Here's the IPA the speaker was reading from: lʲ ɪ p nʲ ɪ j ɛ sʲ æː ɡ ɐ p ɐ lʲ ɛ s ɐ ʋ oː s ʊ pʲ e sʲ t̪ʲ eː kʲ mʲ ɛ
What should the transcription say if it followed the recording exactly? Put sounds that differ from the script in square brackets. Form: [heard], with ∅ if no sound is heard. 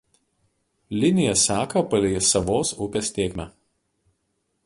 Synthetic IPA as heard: lʲ ɪ [∅] nʲ ɪ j ɛ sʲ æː [k] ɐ p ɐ lʲ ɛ s ɐ ʋ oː s ʊ pʲ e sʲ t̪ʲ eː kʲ mʲ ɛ

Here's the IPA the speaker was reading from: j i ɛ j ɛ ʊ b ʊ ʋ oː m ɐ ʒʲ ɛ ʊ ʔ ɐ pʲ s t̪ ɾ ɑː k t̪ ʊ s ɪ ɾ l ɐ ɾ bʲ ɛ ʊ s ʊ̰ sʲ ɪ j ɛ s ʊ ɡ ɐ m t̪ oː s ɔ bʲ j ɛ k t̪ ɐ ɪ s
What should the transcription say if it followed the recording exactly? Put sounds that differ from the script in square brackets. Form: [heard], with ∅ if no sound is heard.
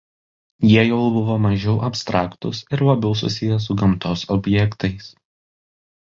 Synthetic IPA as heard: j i ɛ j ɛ ʊ b ʊ ʋ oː m ɐ ʒʲ ɛ ʊ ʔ ɐ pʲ s t̪ ɾ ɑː k t̪ ʊ s ɪ ɾ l ɐ [∅] bʲ ɛ ʊ s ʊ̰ sʲ ɪ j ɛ s ʊ ɡ ɐ m t̪ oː s ɔ bʲ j ɛ k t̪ ɐ ɪ s

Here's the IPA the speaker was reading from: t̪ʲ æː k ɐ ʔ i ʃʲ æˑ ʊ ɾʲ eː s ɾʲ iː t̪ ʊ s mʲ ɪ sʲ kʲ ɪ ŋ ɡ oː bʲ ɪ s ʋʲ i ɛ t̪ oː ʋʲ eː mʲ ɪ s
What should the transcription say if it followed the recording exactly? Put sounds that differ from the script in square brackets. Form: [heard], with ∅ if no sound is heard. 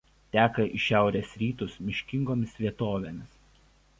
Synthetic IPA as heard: t̪ʲ æː k ɐ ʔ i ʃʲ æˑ ʊ ɾʲ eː s ɾʲ iː t̪ ʊ s mʲ ɪ [ʃʲ] kʲ ɪ ŋ ɡ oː [mʲ] ɪ s ʋʲ i ɛ t̪ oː ʋʲ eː mʲ ɪ s

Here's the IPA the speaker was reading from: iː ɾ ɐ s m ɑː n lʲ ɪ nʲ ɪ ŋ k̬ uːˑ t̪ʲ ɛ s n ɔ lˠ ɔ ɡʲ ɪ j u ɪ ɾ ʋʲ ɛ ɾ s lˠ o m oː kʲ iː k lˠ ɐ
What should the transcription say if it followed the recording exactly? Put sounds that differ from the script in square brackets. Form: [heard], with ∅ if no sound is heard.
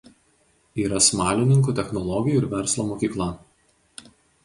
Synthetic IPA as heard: iː ɾ ɐ s m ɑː [∅] lʲ ɪ nʲ ɪ ŋ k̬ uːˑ t̪ʲ ɛ [x] n ɔ lˠ ɔ ɡʲ ɪ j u ɪ ɾ ʋʲ ɛ ɾ s lˠ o m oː kʲ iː k lˠ ɐ

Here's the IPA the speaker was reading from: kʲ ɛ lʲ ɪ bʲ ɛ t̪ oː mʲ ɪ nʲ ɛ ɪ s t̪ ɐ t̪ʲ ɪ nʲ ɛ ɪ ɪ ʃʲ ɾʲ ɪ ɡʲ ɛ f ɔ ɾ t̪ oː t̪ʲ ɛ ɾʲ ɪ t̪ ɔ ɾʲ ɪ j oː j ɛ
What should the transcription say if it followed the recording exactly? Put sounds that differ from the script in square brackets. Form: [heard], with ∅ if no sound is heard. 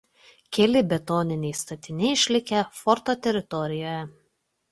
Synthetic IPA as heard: kʲ ɛ lʲ ɪ bʲ ɛ t̪ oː [nʲ] ɪ nʲ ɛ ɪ s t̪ ɐ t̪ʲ ɪ nʲ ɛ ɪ ɪ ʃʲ [lʲ] ɪ [kʲ] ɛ f ɔ ɾ t̪ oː t̪ʲ ɛ ɾʲ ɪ t̪ ɔ ɾʲ ɪ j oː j ɛ

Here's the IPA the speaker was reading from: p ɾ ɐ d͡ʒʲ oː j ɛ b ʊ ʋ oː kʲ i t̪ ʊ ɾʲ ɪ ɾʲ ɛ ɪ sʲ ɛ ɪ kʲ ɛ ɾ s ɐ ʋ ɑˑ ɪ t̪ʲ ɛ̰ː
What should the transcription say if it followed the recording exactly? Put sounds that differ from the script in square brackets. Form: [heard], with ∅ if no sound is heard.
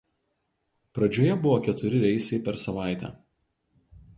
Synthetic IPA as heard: p ɾ ɐ d͡ʒʲ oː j ɛ b ʊ ʋ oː kʲ [ɛ] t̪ ʊ ɾʲ ɪ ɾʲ ɛ ɪ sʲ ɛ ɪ [pʲ] ɛ ɾ s ɐ ʋ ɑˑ ɪ t̪ʲ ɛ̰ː

